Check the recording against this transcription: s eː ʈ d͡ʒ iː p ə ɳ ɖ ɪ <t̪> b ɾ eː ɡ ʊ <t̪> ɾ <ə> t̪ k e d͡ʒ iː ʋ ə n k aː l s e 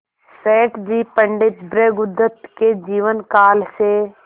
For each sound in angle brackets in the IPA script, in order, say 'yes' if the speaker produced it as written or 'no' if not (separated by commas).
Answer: yes, no, yes